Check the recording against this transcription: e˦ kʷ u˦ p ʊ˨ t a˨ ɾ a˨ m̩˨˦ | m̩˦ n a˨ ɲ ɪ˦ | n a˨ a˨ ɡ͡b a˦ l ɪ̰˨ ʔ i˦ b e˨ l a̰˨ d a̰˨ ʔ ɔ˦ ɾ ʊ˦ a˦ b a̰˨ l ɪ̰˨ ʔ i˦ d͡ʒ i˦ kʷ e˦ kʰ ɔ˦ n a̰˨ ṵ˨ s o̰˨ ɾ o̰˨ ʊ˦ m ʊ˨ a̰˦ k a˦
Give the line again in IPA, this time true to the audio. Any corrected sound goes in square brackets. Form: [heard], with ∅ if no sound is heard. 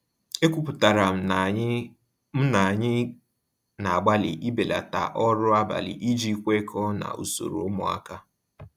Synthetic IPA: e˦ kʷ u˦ p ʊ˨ t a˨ ɾ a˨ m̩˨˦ | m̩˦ n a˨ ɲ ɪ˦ | n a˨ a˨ ɡ͡b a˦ l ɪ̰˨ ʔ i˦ b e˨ l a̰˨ [t] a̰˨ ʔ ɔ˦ ɾ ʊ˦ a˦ b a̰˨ l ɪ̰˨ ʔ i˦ d͡ʒ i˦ kʷ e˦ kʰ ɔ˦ n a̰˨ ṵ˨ s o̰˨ ɾ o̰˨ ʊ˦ m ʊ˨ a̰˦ k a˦

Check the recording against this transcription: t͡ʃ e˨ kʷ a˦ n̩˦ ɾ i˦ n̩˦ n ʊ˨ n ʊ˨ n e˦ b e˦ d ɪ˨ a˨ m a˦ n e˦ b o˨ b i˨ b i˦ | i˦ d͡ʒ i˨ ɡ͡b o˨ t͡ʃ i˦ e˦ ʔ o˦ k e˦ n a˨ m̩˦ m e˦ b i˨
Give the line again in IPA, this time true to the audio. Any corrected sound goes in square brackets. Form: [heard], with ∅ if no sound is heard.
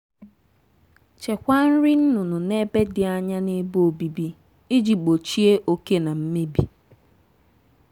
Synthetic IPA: t͡ʃ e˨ kʷ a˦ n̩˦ ɾ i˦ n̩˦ n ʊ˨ n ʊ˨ n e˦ b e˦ d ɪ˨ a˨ [ɲ] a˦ n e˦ b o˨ b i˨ b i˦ | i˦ d͡ʒ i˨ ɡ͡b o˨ t͡ʃ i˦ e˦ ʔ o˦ k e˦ n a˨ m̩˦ m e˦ b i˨

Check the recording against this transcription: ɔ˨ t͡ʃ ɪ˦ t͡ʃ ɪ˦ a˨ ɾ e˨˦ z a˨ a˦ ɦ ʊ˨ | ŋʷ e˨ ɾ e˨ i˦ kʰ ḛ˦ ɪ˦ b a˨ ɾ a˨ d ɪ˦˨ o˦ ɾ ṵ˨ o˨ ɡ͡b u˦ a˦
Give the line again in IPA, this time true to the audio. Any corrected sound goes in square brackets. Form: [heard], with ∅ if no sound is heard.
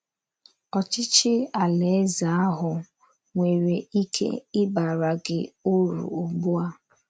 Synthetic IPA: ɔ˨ t͡ʃ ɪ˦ t͡ʃ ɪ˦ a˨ [l] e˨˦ z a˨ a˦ ɦ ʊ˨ | ŋʷ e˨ ɾ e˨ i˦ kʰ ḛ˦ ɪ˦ b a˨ ɾ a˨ [ɡ] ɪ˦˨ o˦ ɾ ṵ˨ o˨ ɡ͡b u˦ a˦

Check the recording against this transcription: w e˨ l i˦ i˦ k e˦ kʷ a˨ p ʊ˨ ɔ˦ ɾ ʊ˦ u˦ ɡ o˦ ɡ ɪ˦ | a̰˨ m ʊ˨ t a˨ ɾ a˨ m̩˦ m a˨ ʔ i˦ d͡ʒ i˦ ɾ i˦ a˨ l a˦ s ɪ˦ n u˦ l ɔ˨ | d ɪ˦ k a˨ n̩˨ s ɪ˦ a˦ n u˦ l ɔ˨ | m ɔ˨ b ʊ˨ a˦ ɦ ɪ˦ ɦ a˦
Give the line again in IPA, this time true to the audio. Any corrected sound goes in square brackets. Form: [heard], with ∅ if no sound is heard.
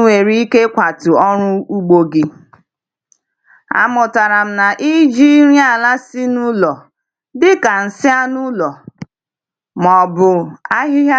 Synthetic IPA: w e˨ [ɾ] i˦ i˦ k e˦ kʷ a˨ [t] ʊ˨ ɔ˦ ɾ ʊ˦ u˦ [ɡ͡b] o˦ ɡ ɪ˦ | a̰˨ m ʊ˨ t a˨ ɾ a˨ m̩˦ [n] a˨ ʔ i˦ d͡ʒ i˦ ɾ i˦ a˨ l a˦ s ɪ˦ n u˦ l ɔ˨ | d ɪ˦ k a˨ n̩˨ s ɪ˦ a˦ n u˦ l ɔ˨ | m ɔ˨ b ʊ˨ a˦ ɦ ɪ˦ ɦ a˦

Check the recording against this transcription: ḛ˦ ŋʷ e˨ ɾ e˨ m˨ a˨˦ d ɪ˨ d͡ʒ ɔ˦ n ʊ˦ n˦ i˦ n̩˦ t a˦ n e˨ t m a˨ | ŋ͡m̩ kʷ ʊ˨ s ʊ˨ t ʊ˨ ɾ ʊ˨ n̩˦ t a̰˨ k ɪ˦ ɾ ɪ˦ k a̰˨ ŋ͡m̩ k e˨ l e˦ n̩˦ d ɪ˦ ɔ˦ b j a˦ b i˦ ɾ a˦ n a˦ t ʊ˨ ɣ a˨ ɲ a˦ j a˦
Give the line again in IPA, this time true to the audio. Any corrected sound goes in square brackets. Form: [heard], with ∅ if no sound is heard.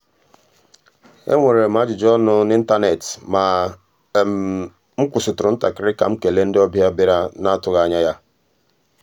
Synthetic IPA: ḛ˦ ŋʷ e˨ ɾ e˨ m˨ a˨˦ [d͡ʒ] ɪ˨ d͡ʒ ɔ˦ n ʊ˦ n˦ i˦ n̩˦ t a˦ n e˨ t m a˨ | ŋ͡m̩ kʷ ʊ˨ s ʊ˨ t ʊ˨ ɾ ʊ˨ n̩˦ t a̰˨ k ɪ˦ ɾ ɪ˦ k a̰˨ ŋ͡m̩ k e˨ l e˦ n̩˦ d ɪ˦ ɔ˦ b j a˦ b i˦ ɾ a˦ n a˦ t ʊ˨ ɣ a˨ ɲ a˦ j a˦

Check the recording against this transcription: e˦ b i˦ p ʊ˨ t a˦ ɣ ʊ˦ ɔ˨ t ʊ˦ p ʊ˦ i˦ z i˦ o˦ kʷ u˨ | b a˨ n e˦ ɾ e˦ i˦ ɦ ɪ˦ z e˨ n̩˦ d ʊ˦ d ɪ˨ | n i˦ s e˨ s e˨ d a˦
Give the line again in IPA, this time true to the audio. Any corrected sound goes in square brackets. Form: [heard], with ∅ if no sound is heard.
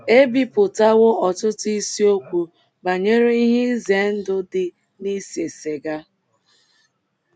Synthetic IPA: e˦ b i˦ p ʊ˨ t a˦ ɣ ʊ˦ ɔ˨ t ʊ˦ [t] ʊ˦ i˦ [s] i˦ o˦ kʷ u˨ | b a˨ [ɲ] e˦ ɾ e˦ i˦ ɦ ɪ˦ z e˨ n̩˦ d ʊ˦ d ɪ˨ | n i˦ s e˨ s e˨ [ɡ] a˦

